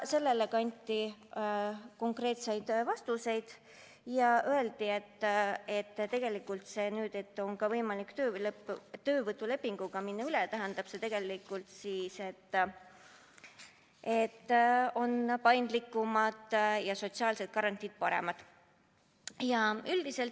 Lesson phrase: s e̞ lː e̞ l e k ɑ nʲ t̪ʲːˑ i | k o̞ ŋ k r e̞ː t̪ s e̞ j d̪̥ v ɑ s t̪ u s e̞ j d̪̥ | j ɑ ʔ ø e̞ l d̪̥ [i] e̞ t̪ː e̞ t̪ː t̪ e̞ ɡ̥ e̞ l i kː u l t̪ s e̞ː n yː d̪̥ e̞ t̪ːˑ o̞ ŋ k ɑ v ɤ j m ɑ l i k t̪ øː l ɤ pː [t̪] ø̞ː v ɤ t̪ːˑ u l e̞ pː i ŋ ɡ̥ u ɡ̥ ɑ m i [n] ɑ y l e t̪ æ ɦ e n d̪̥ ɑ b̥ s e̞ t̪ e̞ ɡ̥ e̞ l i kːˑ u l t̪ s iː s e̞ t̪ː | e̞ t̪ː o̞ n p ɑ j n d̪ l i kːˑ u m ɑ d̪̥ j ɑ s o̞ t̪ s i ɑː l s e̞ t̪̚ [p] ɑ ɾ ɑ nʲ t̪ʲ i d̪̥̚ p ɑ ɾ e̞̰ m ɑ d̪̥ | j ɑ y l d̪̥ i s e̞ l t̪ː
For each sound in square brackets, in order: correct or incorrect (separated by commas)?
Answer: correct, correct, incorrect, incorrect